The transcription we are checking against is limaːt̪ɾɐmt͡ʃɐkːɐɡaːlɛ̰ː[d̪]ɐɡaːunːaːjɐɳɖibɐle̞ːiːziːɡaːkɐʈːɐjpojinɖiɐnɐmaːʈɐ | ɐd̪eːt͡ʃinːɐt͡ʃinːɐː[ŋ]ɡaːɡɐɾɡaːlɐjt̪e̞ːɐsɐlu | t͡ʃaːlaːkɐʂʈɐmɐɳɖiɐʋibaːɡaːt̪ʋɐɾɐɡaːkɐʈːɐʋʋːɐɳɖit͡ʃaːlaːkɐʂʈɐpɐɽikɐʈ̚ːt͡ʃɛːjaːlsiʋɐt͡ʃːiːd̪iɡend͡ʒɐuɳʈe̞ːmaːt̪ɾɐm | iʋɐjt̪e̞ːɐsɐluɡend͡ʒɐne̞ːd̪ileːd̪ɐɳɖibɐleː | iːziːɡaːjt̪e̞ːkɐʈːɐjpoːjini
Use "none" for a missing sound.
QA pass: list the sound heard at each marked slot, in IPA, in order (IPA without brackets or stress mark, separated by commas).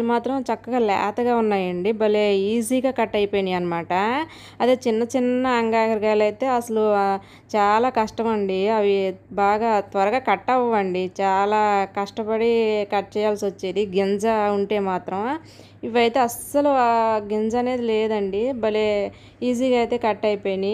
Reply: t̪, ŋ